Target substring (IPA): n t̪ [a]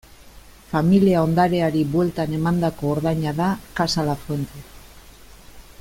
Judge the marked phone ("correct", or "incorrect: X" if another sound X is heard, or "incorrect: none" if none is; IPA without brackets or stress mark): incorrect: e